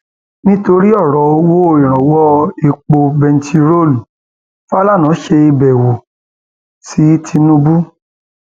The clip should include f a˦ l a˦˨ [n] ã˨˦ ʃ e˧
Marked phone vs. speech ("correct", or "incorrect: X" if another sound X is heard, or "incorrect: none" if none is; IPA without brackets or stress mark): correct